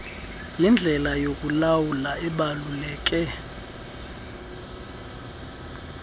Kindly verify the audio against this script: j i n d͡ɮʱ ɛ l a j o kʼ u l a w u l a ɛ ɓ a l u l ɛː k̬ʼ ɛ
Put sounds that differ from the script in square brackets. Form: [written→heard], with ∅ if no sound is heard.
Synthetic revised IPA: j i n d͡ɮʱ ɛ l a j o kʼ u l a w u l a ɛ ɓ a l u l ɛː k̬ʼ ɛ